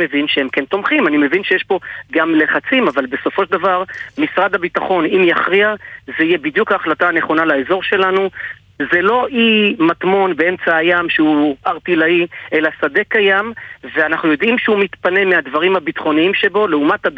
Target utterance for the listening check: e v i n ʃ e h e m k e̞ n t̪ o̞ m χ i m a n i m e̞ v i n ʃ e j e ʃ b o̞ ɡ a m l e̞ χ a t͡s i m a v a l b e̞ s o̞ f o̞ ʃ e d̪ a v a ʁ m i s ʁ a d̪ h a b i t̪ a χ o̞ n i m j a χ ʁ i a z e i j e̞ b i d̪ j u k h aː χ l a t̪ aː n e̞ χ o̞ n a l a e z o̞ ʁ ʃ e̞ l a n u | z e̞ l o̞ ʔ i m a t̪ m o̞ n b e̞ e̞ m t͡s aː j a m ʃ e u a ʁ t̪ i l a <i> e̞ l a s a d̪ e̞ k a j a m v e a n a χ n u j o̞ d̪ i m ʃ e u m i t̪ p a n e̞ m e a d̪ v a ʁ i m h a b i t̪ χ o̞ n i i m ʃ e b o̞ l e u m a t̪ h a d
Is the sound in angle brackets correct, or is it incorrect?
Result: correct